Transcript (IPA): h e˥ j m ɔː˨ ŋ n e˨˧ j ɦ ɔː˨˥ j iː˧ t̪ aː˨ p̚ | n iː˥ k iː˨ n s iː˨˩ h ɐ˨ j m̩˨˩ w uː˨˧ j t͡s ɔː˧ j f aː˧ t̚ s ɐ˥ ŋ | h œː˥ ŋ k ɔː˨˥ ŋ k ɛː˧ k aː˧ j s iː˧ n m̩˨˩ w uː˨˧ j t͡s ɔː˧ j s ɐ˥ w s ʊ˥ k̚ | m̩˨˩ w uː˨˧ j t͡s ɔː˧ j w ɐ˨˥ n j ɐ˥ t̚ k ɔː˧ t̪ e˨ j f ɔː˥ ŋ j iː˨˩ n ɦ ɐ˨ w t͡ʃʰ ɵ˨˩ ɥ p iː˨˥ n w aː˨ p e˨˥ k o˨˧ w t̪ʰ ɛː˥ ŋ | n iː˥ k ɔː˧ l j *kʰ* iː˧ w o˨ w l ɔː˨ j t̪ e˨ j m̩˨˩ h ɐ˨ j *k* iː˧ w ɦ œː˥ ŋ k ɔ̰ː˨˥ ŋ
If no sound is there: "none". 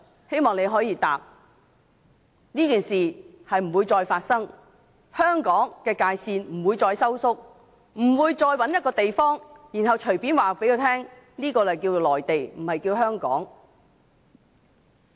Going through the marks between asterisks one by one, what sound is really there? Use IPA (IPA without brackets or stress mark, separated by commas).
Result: k, k